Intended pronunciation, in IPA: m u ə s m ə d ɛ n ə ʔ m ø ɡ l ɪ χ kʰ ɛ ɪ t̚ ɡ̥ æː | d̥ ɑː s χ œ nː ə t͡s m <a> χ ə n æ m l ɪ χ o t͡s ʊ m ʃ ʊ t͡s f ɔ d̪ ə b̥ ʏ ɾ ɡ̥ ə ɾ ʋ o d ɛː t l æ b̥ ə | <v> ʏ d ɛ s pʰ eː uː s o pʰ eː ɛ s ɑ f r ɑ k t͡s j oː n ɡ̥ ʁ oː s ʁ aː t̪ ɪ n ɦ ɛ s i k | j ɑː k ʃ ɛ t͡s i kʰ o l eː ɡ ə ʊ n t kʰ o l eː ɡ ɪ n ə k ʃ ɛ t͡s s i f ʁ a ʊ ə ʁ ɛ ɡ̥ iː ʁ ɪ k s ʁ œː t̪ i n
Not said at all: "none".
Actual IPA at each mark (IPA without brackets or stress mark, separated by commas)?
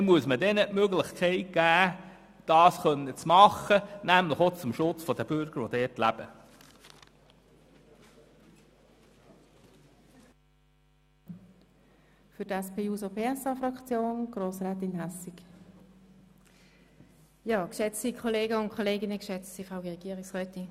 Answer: ɑ, f